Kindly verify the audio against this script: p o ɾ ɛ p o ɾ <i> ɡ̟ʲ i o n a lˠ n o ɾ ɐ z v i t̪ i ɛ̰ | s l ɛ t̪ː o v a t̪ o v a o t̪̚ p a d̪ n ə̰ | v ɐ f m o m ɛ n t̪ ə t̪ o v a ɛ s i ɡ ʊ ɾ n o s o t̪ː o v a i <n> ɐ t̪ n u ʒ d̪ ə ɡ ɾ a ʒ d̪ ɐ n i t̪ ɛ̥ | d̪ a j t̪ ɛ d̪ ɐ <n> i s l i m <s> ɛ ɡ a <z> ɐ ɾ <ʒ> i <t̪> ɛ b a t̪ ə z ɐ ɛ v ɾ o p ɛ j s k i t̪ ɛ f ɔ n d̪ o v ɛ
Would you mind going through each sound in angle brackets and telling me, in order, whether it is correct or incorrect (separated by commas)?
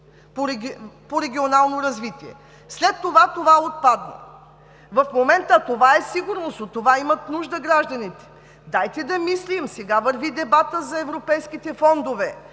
incorrect, incorrect, incorrect, correct, incorrect, incorrect, incorrect